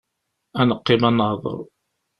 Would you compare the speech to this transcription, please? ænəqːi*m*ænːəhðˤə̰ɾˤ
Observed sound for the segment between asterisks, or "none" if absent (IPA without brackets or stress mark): m